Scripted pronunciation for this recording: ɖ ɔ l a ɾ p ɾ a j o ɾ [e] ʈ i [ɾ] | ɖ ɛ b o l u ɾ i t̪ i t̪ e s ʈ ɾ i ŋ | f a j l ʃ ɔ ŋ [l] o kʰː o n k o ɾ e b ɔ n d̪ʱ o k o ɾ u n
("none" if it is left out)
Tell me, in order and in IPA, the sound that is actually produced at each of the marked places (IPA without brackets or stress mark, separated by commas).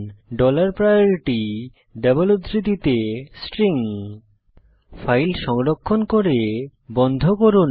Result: i, none, ɾ